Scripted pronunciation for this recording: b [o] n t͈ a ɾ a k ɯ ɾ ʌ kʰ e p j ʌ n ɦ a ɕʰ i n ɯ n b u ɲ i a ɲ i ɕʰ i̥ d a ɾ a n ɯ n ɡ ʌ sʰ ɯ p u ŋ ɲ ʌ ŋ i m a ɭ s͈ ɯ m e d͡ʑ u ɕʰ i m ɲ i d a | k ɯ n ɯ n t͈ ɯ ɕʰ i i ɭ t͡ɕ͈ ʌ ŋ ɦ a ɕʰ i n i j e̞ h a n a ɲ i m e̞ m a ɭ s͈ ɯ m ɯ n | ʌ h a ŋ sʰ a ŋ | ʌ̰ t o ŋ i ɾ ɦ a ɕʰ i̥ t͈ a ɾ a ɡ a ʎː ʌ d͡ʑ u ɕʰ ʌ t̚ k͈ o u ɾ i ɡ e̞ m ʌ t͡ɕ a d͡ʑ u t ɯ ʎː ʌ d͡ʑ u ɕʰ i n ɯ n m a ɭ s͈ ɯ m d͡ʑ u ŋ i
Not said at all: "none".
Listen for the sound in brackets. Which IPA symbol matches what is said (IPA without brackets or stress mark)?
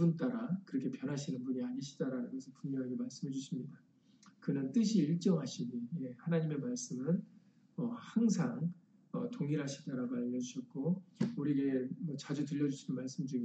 u